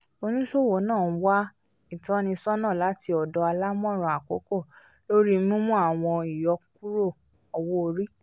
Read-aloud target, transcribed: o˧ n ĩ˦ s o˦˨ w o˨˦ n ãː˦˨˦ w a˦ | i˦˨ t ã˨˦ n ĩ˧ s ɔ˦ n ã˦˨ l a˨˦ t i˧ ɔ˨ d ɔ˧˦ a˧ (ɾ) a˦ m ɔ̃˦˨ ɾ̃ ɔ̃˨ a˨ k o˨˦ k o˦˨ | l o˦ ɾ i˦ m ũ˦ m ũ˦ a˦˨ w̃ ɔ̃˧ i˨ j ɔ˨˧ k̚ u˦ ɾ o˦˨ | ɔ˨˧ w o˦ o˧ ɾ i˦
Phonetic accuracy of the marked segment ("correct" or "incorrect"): incorrect